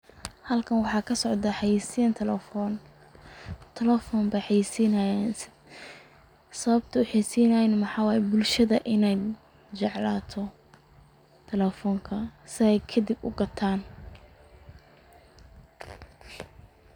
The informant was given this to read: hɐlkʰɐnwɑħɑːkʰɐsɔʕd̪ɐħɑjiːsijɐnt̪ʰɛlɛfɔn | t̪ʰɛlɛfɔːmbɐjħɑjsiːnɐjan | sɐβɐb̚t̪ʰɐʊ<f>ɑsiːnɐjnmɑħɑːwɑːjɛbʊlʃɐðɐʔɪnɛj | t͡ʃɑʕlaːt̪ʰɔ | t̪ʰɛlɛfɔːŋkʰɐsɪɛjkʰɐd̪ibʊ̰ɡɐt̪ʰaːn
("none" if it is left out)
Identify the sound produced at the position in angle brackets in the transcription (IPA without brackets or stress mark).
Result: ħ